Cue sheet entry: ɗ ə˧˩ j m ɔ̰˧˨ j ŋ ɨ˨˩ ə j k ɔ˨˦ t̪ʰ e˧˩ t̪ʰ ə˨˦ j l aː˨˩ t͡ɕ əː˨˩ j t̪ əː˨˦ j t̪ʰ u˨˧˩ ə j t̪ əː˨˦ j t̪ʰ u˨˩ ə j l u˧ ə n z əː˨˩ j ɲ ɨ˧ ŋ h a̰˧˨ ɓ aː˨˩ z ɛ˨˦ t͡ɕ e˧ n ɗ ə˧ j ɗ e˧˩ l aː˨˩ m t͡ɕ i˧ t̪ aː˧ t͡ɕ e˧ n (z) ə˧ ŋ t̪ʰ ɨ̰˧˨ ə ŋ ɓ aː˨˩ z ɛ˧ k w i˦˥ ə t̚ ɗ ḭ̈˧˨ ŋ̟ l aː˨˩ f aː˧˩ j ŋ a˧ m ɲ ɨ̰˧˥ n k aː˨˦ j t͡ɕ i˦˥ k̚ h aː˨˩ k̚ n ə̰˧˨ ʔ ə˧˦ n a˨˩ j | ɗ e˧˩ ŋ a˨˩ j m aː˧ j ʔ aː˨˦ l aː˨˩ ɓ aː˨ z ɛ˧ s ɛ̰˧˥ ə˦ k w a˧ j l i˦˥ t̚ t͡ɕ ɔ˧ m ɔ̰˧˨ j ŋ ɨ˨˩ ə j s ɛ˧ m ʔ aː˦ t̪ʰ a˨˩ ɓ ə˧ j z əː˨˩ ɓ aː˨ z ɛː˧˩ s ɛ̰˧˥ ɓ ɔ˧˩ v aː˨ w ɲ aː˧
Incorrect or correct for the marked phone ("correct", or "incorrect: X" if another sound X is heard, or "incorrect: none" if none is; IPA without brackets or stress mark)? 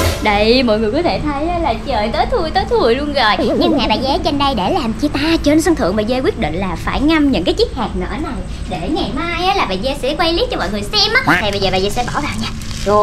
incorrect: s